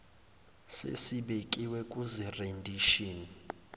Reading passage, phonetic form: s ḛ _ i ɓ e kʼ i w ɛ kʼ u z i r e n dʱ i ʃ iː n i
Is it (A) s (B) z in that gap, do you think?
A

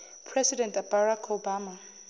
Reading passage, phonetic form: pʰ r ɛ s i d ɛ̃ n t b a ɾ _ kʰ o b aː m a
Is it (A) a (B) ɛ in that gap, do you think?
A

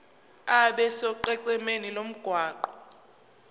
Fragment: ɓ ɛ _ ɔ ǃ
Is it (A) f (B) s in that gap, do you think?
B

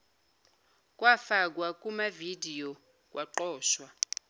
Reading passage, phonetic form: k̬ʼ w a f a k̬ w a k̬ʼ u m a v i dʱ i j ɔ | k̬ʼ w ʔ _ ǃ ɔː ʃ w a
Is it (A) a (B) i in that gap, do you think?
A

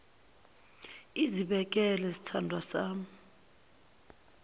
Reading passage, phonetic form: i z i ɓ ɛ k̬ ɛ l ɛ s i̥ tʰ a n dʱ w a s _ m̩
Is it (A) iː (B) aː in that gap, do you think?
B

